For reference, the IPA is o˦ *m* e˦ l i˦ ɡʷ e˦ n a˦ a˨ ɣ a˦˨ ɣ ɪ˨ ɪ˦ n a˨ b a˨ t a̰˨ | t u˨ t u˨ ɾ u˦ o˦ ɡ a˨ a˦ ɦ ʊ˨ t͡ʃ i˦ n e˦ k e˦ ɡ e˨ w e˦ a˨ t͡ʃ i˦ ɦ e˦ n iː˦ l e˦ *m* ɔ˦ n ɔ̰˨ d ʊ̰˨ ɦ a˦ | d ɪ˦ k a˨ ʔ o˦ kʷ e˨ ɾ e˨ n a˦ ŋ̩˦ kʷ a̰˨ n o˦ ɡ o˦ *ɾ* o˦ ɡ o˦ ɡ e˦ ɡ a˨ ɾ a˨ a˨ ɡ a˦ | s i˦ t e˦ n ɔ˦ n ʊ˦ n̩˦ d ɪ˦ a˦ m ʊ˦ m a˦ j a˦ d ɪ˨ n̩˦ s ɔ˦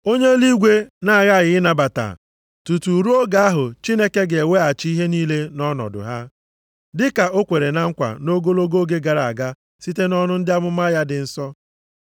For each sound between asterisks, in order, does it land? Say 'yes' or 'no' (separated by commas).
no, no, no